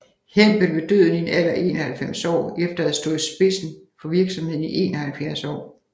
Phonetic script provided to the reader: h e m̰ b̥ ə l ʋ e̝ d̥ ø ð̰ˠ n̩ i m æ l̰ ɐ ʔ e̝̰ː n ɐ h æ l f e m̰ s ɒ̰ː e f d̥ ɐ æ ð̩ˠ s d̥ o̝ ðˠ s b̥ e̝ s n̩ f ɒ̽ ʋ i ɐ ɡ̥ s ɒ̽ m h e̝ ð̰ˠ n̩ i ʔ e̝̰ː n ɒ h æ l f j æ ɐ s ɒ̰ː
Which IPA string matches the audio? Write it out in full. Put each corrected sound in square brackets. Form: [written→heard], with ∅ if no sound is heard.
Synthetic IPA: h e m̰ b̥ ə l ʋ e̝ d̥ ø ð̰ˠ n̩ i [m→n] æ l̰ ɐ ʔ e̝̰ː n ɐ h æ l f e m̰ s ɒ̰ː e f d̥ ɐ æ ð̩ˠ s d̥ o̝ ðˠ s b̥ e̝ s n̩ f ɒ̽ ʋ i ɐ ɡ̥ s ɒ̽ m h e̝ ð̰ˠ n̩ i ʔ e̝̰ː n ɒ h æ l f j æ ɐ s ɒ̰ː